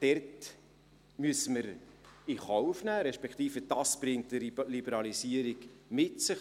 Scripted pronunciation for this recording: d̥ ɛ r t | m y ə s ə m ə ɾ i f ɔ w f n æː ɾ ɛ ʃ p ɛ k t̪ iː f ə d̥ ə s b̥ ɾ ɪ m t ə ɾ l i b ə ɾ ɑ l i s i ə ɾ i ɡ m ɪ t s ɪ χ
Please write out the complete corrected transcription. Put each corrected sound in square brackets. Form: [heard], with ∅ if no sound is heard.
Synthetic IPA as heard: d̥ ɛ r t | m y ə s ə m ə ɾ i [χ] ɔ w f n æː ɾ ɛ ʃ p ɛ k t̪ iː f ə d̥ [ɑ] s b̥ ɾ ɪ [ŋ] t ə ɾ l i b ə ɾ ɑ l i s i ə ɾ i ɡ m ɪ t s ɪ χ